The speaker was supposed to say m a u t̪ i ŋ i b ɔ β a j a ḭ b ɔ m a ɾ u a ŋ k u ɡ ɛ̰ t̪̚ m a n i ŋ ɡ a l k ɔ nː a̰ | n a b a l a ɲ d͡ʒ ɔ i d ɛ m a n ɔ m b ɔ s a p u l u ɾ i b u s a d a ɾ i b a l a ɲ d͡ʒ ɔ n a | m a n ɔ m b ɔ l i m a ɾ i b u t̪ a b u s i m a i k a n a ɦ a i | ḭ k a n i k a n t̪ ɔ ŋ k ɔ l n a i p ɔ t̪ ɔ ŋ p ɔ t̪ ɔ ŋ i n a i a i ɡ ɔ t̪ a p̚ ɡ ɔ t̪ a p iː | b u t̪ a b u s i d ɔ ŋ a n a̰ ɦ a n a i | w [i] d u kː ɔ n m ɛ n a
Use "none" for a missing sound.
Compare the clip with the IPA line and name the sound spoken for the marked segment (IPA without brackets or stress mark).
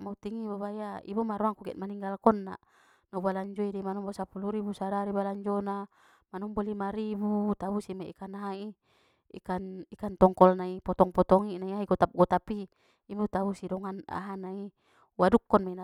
a